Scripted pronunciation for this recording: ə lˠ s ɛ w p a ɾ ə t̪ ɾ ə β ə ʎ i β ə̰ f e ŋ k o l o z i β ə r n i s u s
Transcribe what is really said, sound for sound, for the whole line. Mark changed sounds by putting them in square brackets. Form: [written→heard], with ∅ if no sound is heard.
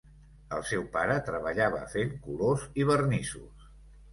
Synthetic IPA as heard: ə lˠ s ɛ w p a ɾ ə t̪ ɾ ə β ə ʎ [i→a] β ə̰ f e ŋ k [o→u] l o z i β ə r n i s u s